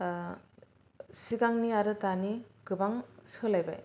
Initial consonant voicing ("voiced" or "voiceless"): voiceless